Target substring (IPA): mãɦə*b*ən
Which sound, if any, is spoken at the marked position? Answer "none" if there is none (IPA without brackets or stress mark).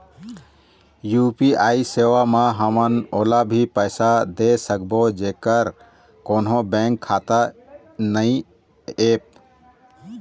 m